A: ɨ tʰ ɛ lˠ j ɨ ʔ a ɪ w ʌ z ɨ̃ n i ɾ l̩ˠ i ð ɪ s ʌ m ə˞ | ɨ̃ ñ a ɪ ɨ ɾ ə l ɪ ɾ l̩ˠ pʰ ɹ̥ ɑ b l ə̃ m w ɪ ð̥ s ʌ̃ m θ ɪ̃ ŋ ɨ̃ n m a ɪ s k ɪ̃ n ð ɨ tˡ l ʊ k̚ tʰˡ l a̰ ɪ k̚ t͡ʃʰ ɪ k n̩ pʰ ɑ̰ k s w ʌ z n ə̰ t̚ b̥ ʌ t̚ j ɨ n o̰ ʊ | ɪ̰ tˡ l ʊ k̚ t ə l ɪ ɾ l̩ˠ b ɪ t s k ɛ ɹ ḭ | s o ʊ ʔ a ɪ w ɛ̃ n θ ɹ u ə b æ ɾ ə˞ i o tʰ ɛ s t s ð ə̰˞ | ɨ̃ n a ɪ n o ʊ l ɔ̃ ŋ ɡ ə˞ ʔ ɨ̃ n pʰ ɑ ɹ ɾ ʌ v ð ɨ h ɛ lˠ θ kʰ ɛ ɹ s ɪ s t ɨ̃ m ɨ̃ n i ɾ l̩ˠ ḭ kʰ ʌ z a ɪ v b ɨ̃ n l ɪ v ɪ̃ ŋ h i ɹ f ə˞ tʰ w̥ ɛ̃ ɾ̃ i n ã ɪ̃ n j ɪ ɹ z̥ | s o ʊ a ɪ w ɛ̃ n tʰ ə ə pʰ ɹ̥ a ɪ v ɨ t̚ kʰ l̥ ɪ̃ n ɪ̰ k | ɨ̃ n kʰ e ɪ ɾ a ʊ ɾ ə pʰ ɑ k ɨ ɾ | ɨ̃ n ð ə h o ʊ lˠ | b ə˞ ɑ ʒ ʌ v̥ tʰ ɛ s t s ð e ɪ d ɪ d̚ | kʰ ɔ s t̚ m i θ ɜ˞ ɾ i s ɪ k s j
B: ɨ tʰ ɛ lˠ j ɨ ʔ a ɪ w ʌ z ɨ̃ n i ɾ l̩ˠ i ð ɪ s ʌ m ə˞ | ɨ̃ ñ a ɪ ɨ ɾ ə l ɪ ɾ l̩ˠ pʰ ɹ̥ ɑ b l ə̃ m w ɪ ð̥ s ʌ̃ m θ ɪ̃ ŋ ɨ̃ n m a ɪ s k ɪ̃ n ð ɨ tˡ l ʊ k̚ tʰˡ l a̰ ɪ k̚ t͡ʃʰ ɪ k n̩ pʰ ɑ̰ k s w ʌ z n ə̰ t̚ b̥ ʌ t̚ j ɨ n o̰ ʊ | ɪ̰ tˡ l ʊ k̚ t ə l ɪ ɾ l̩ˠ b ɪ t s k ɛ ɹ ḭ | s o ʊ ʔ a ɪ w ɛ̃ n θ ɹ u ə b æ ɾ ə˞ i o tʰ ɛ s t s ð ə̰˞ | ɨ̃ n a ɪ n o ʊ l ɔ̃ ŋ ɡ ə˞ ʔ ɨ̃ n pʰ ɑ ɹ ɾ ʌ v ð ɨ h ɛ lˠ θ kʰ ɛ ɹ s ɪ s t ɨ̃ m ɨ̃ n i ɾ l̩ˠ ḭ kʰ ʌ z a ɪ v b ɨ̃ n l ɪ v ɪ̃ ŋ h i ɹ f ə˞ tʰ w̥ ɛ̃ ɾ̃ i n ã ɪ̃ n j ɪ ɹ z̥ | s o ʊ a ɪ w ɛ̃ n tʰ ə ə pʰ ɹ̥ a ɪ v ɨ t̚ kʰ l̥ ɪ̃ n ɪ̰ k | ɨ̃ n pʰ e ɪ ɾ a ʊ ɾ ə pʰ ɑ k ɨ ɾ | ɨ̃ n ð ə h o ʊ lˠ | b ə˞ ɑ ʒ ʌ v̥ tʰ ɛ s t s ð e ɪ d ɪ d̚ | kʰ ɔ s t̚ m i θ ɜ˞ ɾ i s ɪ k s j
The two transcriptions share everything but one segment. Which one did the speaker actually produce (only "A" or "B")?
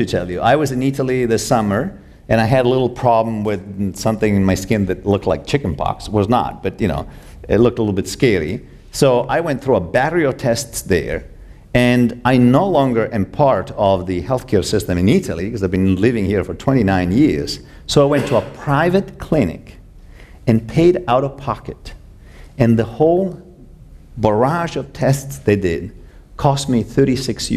B